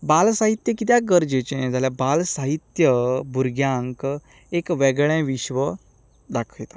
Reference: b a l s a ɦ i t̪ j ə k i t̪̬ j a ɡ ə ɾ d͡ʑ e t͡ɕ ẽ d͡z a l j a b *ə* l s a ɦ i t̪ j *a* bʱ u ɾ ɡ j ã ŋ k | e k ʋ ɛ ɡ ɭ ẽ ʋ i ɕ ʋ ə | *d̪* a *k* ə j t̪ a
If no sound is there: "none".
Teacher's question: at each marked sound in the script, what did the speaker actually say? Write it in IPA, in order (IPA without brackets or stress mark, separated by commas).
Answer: a, ə, d̪, kʰ